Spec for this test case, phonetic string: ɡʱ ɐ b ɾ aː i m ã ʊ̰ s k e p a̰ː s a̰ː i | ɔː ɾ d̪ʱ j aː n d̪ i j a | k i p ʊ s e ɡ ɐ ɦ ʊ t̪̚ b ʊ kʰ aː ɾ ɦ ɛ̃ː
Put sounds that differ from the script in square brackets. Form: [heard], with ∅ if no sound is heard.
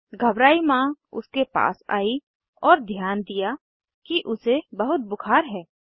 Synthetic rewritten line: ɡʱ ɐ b ɾ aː i m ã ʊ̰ s k e p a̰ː s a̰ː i | ɔː ɾ d̪ʱ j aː n d̪ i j a | k i [ʔ] ʊ s e [b] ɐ ɦ ʊ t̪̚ b ʊ kʰ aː ɾ ɦ [ɛː]